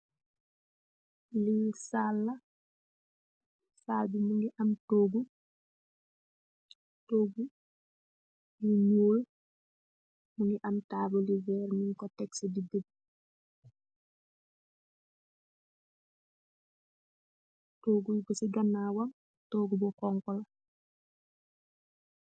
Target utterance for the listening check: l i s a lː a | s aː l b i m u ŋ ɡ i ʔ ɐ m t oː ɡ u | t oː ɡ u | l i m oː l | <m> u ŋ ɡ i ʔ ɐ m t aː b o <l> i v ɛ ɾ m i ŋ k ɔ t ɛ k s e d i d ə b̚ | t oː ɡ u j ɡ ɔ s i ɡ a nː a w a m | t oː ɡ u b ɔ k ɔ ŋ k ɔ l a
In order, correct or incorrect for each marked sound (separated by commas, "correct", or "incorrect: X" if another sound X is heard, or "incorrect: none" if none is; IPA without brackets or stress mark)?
correct, correct